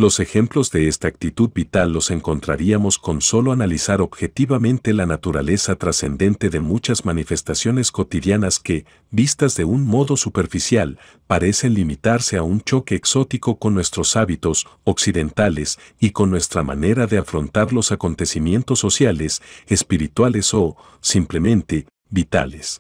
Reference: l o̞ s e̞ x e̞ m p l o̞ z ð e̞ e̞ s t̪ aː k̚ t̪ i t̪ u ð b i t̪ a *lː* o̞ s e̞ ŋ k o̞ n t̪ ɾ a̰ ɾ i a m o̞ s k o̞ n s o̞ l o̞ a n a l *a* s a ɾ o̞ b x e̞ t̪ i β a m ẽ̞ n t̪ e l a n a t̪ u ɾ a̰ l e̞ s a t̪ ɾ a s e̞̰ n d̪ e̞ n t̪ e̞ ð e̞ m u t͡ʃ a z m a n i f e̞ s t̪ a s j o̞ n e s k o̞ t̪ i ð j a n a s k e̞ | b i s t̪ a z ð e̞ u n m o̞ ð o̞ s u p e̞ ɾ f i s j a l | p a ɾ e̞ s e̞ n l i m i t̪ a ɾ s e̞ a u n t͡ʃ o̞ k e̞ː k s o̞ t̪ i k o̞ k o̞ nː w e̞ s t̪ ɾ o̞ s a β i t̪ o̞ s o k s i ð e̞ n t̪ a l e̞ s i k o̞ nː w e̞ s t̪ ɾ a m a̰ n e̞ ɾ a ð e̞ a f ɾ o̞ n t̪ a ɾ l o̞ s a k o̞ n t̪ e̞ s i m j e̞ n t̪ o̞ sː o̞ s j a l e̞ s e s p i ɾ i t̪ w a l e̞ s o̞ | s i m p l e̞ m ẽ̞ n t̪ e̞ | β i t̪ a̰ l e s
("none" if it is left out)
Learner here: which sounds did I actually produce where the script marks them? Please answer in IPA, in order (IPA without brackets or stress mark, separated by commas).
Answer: lː, i